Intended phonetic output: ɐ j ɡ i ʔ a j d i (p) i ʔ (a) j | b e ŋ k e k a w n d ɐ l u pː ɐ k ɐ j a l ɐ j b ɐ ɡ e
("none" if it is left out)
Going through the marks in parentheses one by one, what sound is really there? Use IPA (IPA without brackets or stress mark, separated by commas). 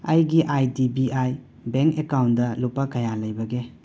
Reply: b, a